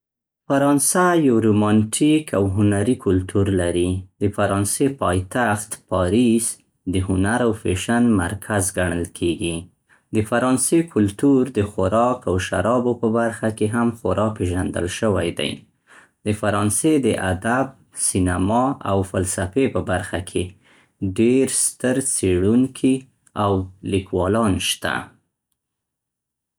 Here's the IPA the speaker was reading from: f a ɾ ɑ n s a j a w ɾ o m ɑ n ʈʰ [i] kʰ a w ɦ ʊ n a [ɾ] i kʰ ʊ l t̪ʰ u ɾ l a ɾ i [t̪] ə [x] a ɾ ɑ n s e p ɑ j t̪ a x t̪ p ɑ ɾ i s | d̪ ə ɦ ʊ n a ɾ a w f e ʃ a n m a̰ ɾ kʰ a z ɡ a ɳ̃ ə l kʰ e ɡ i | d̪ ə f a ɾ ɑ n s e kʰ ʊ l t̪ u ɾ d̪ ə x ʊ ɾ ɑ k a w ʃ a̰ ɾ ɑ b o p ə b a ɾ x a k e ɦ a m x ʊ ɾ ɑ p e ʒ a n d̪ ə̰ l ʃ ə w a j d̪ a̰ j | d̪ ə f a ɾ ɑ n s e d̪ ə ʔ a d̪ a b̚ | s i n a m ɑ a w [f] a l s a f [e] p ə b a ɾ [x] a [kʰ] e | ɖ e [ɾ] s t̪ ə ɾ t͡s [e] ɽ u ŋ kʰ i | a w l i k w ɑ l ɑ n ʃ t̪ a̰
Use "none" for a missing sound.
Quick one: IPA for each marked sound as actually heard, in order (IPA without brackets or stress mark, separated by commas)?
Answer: i, ɾ, d̪, f, f, e, x, kʰ, ɾ, e